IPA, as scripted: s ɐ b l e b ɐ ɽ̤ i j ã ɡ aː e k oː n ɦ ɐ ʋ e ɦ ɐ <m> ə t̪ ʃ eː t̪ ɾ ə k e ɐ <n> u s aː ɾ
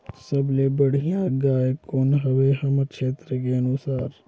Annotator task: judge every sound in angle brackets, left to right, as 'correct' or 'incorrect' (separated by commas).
correct, correct